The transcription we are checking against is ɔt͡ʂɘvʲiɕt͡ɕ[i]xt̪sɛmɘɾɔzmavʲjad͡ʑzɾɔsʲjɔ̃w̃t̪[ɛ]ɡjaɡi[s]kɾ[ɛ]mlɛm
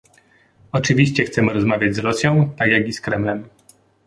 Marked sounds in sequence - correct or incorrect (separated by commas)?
incorrect, incorrect, correct, correct